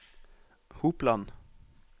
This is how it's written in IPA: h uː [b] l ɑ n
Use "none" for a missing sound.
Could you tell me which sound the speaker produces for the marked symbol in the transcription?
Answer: p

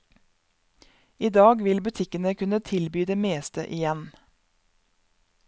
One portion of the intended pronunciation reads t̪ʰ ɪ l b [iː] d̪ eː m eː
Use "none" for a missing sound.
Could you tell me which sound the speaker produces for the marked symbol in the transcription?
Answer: yː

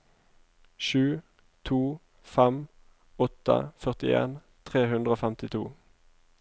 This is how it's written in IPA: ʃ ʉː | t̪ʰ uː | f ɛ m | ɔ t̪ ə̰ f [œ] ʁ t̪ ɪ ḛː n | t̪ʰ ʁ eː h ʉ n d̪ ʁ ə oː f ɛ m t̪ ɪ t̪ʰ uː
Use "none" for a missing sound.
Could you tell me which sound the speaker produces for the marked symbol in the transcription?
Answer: œ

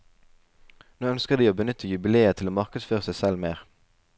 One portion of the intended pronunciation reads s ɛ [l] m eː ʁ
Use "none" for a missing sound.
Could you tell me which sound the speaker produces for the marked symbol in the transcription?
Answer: l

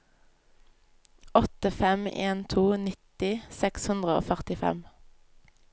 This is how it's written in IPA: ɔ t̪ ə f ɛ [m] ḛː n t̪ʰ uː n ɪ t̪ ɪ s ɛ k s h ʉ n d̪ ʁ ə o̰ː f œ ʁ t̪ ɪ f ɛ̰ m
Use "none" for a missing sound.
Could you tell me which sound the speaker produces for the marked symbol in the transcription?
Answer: m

